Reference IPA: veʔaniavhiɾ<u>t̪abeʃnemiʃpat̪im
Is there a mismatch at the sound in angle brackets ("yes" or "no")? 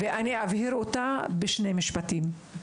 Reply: yes